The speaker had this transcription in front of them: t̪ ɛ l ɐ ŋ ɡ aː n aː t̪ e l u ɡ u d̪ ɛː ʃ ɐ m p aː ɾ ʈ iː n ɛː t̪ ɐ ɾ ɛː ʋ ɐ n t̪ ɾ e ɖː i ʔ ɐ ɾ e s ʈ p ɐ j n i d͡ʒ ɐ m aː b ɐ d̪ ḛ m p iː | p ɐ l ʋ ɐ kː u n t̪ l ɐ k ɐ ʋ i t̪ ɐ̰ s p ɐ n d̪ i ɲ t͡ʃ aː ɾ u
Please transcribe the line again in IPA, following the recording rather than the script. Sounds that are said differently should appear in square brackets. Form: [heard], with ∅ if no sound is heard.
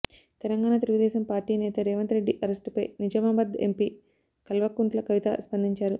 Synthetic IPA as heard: t̪ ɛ l ɐ ŋ ɡ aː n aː t̪ e l u ɡ u d̪ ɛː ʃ ɐ m p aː ɾ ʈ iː n ɛː t̪ ɐ ɾ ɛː ʋ ɐ n t̪ ɾ e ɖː i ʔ ɐ ɾ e s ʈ p ɐ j n i d͡ʒ ɐ m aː b ɐ d̪ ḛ m p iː | [k] ɐ l ʋ ɐ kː u n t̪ l ɐ k ɐ ʋ i t̪ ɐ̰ s p ɐ n d̪ i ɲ t͡ʃ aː ɾ u